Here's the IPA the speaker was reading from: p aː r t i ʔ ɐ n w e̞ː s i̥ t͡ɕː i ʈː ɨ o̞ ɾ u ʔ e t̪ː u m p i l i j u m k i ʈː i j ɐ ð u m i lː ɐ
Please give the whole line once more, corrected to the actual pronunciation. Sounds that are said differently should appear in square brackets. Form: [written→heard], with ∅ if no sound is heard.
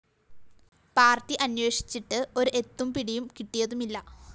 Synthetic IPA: p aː r t i ʔ ɐ n w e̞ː [s→ʂ] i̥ t͡ɕː i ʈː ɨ o̞ ɾ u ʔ e t̪ː u m p i [l→ɽ] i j u m k i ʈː i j ɐ ð u m i lː ɐ